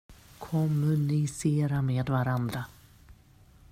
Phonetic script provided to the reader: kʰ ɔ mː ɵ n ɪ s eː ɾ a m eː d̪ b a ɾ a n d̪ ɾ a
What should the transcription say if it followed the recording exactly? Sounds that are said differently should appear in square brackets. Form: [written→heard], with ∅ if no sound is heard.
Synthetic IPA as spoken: kʰ ɔ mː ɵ n ɪ s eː ɾ a m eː d̪ [b→v] a ɾ a n d̪ ɾ a